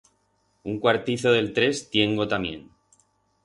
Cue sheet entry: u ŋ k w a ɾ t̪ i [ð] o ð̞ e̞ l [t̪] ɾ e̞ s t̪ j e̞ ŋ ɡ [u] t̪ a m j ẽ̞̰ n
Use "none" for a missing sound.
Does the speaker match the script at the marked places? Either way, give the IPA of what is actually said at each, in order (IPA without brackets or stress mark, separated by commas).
θ, t̪, o